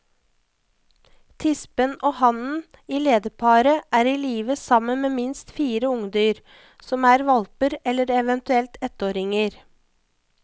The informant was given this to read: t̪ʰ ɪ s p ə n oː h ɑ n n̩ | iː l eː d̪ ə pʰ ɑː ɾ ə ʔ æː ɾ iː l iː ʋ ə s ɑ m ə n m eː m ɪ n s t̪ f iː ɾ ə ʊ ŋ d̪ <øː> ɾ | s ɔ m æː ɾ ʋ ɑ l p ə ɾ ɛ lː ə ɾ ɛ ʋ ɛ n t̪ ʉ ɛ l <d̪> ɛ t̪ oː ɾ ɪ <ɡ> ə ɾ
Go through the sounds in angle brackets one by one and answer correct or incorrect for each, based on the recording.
incorrect: yː, incorrect: t̪, incorrect: ŋ

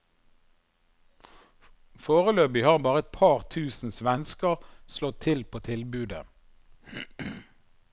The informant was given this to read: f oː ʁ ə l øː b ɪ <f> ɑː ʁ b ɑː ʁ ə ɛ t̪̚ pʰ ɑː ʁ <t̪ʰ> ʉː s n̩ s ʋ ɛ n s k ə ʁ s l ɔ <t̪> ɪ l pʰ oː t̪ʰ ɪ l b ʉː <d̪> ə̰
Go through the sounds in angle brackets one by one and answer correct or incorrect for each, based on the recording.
incorrect: h, correct, incorrect: t̪ʰ, correct

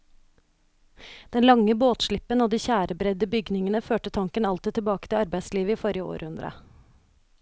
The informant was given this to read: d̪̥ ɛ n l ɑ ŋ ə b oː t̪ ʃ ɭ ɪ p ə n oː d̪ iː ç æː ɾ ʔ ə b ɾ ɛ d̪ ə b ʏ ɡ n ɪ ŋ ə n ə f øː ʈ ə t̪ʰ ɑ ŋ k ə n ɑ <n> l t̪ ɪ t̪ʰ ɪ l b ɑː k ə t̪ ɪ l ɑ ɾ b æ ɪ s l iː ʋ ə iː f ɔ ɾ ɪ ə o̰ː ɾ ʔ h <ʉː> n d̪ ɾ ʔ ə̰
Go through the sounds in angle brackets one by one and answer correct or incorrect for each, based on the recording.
incorrect: none, incorrect: ʉ

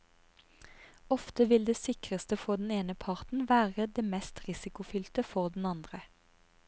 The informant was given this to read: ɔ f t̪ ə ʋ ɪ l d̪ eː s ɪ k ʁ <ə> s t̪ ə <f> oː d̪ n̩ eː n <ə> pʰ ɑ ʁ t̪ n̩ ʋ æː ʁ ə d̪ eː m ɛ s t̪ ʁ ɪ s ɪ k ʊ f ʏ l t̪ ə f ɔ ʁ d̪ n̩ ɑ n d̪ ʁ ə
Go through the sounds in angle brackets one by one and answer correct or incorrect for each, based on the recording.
correct, correct, correct

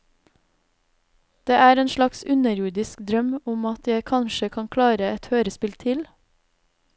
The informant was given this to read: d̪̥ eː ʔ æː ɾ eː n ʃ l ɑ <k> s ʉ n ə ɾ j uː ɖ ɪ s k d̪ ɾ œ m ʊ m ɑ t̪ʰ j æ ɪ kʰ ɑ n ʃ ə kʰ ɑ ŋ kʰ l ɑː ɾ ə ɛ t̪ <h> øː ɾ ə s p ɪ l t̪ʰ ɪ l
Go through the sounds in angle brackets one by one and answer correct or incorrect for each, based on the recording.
correct, correct

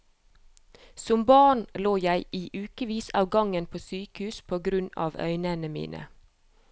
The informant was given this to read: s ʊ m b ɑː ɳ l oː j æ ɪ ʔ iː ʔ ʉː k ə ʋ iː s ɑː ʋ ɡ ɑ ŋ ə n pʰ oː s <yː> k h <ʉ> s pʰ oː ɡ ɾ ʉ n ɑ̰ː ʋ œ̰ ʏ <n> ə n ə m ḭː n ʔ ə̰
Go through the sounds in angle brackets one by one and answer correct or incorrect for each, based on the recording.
correct, incorrect: ʉː, correct

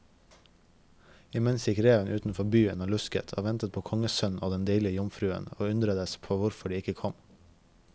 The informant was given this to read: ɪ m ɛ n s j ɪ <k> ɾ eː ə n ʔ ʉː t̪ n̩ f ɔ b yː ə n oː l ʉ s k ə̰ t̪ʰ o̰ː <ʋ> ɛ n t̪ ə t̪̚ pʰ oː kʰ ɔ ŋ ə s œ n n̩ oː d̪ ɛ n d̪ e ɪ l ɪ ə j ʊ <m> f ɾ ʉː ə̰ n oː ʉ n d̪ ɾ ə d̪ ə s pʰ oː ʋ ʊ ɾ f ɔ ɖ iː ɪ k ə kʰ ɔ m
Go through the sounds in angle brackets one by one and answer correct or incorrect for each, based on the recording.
correct, correct, correct

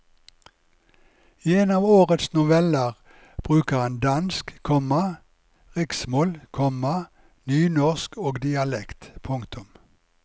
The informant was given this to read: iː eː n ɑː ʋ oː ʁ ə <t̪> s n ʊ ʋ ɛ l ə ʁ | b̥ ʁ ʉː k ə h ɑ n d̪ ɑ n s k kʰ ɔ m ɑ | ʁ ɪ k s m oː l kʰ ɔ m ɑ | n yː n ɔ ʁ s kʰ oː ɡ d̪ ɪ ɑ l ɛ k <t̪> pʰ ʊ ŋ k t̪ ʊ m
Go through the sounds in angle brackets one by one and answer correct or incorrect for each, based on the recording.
correct, correct

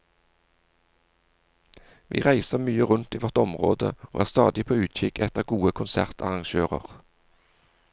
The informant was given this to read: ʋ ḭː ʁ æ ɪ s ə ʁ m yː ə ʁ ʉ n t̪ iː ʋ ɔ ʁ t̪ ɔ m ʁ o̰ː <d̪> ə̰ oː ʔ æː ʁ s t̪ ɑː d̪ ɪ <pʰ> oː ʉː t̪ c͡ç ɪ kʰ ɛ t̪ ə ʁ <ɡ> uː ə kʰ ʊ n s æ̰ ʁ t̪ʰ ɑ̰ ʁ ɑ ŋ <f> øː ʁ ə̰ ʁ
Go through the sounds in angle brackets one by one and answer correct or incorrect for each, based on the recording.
correct, correct, correct, incorrect: ʃ

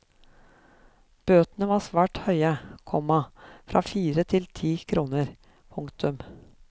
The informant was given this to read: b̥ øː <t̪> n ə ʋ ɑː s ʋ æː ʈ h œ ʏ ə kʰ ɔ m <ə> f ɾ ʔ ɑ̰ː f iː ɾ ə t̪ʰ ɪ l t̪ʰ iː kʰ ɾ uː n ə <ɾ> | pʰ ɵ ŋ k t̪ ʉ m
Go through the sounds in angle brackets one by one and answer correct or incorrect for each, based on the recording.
correct, incorrect: ɑ, correct

